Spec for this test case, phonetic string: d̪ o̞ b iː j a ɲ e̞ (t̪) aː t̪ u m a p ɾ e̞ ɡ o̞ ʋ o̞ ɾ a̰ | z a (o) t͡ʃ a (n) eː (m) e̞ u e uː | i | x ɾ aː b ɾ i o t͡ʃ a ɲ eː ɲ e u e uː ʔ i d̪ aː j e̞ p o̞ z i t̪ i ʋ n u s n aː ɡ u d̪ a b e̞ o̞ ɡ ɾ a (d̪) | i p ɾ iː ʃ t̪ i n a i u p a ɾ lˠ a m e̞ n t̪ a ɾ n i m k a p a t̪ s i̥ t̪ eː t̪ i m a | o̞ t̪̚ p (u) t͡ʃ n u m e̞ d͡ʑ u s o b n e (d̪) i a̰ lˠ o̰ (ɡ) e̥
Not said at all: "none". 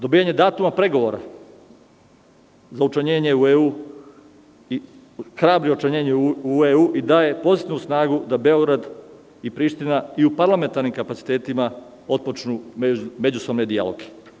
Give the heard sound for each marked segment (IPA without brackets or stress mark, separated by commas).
d̪, u, ɲ, ɲ, d̪, o, d̪, ɡ